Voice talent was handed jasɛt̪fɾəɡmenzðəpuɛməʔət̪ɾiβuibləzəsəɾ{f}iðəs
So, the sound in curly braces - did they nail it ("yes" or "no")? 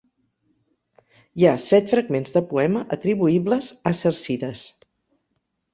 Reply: no